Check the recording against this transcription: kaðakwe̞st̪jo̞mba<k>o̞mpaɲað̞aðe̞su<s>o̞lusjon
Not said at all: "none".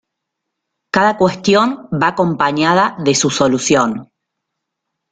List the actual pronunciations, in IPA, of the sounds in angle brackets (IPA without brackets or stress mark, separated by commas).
k, s